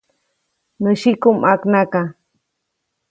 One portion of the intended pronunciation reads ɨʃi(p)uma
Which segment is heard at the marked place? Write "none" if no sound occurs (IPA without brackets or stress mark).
k